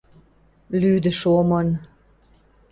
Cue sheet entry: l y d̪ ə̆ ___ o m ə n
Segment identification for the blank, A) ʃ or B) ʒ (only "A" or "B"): A